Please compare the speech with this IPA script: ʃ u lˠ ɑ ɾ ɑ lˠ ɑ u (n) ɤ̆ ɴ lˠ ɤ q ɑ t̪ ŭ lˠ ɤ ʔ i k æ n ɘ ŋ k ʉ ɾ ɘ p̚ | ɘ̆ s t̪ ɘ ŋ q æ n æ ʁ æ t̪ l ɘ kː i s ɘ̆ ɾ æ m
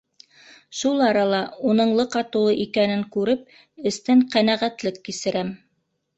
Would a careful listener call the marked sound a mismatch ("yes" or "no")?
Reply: no